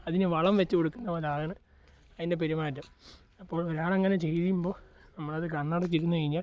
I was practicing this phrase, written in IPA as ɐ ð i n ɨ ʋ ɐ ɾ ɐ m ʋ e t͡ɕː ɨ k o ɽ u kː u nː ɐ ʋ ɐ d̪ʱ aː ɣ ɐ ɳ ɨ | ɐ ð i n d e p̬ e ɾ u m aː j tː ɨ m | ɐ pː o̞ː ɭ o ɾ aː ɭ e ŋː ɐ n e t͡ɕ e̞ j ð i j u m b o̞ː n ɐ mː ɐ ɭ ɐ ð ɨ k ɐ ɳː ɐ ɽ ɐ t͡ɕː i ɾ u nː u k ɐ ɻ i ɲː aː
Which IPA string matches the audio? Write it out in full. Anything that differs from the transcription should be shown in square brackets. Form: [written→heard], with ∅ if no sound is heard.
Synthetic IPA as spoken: ɐ ð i n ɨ ʋ ɐ [ɾ→ɭ] ɐ m ʋ e t͡ɕː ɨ k o ɽ u kː u nː ɐ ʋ ɐ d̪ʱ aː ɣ ɐ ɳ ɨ | ɐ ð i n d e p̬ e ɾ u m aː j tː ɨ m | ɐ pː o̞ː ɭ o ɾ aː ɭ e ŋː ɐ n e t͡ɕ e̞ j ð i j u m b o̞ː n ɐ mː ɐ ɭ ɐ ð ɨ k ɐ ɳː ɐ ɽ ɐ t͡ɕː i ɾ u nː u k ɐ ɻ i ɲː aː

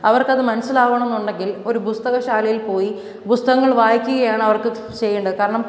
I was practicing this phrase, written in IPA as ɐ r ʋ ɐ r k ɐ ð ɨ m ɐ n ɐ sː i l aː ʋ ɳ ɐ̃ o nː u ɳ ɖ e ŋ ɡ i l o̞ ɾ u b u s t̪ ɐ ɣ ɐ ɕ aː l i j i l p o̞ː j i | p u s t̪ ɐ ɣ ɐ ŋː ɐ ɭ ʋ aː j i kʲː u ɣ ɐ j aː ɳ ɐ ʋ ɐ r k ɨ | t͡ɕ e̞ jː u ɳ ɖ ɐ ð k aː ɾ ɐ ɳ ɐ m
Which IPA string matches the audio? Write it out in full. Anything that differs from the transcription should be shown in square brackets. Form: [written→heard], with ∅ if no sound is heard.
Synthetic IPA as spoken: ɐ [r→∅] ʋ ɐ r k ɐ ð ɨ m ɐ n ɐ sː i l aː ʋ ɳ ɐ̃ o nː u ɳ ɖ e ŋ ɡ i l o̞ ɾ u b u s t̪ ɐ ɣ ɐ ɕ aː l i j i l p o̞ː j i | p u s t̪ ɐ ɣ ɐ ŋː ɐ ɭ ʋ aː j i kʲː u ɣ ɐ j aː ɳ ɐ ʋ ɐ r k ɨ | t͡ɕ e̞ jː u ɳ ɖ ɐ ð k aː ɾ ɐ ɳ ɐ m

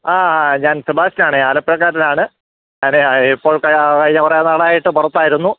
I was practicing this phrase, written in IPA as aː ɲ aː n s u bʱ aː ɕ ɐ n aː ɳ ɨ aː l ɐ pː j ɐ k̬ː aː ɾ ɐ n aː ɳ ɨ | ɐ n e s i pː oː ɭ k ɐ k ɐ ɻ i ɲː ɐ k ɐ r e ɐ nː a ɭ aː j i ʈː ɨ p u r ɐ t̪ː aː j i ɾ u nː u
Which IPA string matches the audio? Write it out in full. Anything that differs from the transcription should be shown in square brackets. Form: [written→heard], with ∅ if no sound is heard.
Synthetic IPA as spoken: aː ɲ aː n s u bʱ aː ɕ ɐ n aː ɳ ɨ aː l ɐ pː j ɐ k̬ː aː ɾ ɐ n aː ɳ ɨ | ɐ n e [s→∅] i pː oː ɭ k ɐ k ɐ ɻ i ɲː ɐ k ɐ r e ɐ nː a ɭ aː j i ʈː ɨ p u r ɐ t̪ː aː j i ɾ u nː u

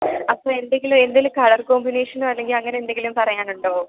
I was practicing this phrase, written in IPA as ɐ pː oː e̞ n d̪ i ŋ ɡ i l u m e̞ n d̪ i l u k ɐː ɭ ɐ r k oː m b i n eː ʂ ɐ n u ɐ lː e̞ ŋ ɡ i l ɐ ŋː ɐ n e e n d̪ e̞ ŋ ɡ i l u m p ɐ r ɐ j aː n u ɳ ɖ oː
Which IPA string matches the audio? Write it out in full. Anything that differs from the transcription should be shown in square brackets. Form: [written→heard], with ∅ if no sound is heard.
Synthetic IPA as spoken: ɐ pː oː e̞ n d̪ [i→e] ŋ ɡ i l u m e̞ n d̪ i l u k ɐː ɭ ɐ r k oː m b i n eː ʂ ɐ n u ɐ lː e̞ ŋ ɡ i l ɐ ŋː ɐ n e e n d̪ e̞ ŋ ɡ i l u m p ɐ r ɐ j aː n u ɳ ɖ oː

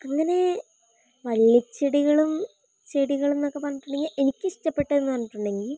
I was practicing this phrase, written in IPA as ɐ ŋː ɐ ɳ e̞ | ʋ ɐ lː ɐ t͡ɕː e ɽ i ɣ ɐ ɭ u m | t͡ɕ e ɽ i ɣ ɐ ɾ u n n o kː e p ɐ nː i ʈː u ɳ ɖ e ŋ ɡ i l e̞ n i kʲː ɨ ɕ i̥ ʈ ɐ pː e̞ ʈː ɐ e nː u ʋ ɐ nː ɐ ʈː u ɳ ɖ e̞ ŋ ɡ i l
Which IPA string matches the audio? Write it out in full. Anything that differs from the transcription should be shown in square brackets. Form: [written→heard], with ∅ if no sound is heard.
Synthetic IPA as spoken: ɐ ŋː ɐ [ɳ→n] e̞ | ʋ ɐ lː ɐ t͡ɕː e ɽ i ɣ ɐ ɭ u m | t͡ɕ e ɽ i ɣ ɐ [ɾ→ɭ] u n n o kː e p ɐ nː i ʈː u ɳ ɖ e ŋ ɡ i l e̞ n i kʲː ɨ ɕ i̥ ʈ ɐ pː e̞ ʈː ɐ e nː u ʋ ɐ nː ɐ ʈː u ɳ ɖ e̞ ŋ ɡ i l

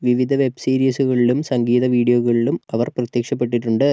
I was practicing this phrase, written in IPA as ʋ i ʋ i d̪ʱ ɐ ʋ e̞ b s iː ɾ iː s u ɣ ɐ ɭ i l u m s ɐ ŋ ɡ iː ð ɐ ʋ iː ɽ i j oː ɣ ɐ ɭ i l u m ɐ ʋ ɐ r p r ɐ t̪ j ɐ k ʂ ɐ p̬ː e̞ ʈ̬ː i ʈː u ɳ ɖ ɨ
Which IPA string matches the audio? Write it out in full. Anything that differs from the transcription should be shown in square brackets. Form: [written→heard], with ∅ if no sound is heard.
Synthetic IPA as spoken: ʋ i ʋ i d̪ʱ ɐ ʋ e̞ b s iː ɾ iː s u ɣ ɐ ɭ i l u m s ɐ ŋ ɡ iː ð ɐ ʋ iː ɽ i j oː ɣ ɐ ɭ i l u m ɐ ʋ ɐ r p r ɐ t̪ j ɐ k ʂ ɐ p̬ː e̞ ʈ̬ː i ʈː u ɳ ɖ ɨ

